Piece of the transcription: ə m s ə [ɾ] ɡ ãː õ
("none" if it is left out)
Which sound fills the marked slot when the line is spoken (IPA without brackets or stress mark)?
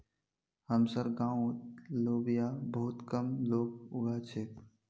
ɾ